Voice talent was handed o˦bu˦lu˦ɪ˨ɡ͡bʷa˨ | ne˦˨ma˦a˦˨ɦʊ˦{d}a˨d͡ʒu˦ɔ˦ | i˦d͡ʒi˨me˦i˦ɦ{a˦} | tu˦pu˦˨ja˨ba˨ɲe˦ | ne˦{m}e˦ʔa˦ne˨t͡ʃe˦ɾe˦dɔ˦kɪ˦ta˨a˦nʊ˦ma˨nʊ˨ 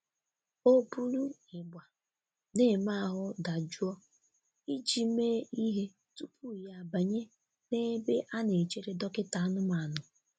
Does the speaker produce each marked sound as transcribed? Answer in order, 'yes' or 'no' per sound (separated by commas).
yes, no, no